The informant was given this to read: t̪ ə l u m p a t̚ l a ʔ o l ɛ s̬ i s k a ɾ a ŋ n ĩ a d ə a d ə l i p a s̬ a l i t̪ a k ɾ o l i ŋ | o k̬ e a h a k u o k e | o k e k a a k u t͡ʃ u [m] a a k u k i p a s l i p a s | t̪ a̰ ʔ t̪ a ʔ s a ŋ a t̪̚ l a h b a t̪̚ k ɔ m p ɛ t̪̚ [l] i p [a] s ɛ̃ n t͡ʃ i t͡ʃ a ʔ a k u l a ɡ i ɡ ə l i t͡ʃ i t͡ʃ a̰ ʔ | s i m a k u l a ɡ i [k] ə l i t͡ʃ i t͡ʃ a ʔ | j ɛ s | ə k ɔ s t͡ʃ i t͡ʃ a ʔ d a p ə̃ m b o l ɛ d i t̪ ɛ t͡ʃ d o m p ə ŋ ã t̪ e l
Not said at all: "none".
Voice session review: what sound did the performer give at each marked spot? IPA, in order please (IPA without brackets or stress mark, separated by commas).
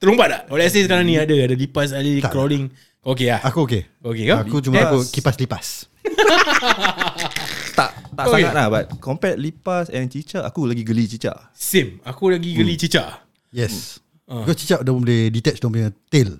m, l, a, ɡ